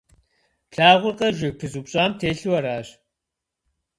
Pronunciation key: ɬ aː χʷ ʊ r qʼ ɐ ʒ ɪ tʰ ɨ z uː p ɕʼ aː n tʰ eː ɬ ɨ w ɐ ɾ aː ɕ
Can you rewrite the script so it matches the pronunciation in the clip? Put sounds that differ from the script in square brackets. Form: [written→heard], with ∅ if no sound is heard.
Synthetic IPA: ɬ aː [χʷ→ʁʷ] ʊ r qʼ ɐ ʒ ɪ [tʰ→pʰ] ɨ z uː p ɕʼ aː [n→m] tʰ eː ɬ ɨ w ɐ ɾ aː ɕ